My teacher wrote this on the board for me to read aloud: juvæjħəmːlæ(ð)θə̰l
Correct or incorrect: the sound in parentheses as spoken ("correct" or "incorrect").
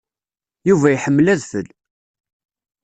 correct